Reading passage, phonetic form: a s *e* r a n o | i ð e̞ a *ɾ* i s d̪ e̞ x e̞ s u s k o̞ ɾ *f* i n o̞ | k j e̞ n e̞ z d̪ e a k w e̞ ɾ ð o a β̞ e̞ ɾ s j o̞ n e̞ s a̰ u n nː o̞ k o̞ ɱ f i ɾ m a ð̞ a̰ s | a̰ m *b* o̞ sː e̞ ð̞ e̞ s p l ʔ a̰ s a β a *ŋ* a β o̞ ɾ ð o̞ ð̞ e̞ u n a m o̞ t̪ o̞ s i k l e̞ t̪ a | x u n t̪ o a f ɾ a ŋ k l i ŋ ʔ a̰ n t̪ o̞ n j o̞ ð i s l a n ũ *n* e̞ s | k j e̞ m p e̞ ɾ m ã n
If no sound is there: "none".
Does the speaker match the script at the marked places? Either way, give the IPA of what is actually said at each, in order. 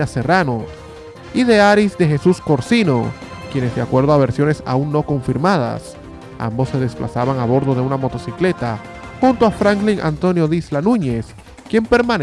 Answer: e, ɾ, s, b, ŋ, ɲ

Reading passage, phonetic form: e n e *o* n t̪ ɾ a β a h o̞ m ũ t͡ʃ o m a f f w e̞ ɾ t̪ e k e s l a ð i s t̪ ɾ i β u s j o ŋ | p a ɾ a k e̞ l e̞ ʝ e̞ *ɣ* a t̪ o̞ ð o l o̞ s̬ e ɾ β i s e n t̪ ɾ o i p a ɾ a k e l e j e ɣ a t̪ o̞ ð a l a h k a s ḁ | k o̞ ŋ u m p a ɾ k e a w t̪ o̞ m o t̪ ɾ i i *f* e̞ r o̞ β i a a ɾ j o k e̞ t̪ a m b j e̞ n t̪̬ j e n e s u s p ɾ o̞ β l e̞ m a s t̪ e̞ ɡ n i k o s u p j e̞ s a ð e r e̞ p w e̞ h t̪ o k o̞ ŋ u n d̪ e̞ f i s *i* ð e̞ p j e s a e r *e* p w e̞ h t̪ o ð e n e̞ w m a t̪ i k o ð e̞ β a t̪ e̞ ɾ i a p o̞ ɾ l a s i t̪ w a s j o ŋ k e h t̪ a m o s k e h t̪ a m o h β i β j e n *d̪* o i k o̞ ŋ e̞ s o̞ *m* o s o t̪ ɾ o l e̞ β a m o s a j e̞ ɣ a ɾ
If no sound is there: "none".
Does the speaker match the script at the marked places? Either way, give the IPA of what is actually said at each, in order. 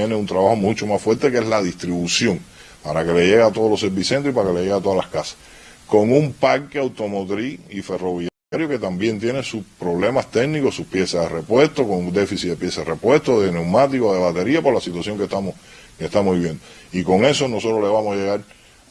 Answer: u, ɣ, f, i, e, d̪, n

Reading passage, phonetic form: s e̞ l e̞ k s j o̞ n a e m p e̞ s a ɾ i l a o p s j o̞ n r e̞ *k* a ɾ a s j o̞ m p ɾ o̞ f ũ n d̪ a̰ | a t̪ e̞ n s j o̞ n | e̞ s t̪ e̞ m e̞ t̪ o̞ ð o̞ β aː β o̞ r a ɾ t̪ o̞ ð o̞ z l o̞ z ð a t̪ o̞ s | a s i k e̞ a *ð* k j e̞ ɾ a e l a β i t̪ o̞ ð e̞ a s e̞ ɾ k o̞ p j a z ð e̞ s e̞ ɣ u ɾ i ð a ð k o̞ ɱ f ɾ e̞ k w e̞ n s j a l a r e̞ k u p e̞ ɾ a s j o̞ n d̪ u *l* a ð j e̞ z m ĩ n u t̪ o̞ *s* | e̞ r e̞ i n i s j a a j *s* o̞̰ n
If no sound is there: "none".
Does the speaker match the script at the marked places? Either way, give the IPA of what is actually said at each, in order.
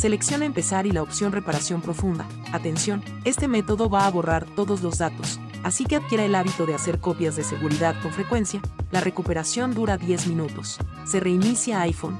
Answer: p, ð, ɾ, sː, f

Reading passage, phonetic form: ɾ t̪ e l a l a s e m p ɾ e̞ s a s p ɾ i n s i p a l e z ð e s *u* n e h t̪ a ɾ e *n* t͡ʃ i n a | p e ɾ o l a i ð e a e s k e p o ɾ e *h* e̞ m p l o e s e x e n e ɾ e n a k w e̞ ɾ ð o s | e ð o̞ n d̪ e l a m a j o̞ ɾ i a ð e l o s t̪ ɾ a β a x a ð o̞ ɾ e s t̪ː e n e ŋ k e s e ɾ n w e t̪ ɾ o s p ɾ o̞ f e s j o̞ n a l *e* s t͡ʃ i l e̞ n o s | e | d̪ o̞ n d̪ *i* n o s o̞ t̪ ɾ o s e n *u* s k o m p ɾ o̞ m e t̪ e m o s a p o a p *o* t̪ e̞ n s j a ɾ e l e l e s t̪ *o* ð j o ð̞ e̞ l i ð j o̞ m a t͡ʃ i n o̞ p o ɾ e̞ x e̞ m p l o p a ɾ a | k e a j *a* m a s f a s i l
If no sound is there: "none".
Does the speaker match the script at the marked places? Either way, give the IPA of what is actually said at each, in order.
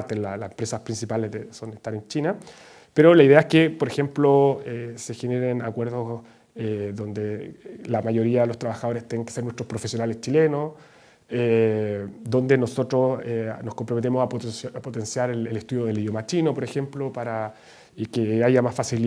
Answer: o, n, x, e, e, o, o, u, a

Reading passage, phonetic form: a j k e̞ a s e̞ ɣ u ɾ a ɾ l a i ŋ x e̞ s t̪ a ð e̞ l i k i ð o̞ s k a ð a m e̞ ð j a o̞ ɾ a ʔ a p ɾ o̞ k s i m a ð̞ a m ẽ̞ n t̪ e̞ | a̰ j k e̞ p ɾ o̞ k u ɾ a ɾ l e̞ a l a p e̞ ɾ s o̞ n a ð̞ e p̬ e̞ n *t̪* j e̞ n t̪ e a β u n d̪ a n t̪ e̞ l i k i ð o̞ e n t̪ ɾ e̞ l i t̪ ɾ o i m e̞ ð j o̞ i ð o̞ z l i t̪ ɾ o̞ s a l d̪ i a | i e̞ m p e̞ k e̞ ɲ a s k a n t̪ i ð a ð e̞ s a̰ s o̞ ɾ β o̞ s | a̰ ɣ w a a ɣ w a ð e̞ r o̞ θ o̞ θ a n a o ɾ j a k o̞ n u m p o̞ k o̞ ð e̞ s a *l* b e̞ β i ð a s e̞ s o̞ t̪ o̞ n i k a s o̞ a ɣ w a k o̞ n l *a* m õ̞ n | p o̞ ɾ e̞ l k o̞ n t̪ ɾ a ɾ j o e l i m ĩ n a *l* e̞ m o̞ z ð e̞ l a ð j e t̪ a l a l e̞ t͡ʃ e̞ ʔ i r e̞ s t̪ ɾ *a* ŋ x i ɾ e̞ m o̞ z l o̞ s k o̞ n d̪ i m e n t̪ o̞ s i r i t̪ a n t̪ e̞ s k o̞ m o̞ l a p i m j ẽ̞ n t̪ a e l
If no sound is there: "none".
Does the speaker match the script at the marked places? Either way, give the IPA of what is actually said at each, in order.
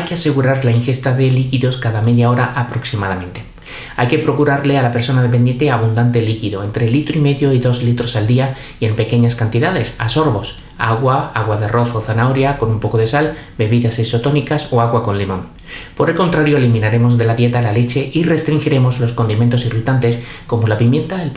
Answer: d̪, l, i, ɾ, i

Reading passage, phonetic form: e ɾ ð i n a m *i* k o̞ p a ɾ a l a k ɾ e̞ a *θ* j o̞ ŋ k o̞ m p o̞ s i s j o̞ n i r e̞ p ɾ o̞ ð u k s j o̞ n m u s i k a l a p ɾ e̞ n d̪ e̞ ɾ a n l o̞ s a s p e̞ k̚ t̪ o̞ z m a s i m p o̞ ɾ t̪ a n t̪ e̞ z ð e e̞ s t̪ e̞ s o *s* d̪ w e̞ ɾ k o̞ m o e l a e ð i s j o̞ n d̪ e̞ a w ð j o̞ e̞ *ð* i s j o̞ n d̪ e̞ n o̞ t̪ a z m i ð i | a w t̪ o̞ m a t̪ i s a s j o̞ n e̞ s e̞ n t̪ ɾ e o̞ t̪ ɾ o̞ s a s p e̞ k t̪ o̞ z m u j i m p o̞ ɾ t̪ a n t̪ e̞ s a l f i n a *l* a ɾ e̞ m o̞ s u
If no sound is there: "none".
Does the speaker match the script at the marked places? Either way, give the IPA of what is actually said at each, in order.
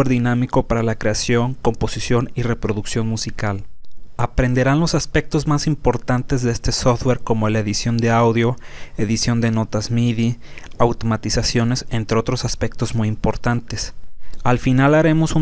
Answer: i, s, f, ð, l

